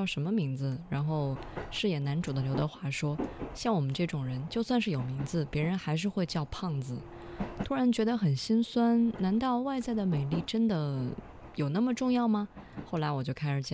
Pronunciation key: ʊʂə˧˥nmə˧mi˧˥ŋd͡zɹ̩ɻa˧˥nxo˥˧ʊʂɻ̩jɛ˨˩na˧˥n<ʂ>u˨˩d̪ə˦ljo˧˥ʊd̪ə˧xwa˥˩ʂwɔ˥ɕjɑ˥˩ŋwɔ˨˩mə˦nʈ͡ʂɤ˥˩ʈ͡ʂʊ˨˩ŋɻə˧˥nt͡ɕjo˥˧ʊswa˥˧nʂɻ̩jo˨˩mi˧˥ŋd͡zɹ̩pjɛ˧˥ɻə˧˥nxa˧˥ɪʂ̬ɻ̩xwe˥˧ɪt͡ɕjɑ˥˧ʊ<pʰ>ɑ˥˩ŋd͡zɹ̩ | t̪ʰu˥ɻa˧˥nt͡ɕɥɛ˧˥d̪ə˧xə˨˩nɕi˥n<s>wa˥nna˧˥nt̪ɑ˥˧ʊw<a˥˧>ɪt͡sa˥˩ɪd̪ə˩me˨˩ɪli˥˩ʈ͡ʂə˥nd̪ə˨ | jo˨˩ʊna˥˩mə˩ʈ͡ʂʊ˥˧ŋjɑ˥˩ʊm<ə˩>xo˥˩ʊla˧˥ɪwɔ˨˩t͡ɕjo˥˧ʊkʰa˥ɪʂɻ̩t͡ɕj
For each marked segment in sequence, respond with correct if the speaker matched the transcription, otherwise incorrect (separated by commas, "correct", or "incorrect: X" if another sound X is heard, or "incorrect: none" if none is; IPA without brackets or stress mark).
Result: incorrect: ʈ͡ʂ, correct, correct, correct, incorrect: ɐ˩